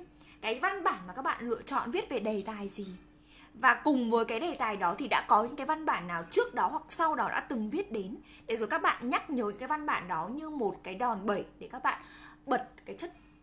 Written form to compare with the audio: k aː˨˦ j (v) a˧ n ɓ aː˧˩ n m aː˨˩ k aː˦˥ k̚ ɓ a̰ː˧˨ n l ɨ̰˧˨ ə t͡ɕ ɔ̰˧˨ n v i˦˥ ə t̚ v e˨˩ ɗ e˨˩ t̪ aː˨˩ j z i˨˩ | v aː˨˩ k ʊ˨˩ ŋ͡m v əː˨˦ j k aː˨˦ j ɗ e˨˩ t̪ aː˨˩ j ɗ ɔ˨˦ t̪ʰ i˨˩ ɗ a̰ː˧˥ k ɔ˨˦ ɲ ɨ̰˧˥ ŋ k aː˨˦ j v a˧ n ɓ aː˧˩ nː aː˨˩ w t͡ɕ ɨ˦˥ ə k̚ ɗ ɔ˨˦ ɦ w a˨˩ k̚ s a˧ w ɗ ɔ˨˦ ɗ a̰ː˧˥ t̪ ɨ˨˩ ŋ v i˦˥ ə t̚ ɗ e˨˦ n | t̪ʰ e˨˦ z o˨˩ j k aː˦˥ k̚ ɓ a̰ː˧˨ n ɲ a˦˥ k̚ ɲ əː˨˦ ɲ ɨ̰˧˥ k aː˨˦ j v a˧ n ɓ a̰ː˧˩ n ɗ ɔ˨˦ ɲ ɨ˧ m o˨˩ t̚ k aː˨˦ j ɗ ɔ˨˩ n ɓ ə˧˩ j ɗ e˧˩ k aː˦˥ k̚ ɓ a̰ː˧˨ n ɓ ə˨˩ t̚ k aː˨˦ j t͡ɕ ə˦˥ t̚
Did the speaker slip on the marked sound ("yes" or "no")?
no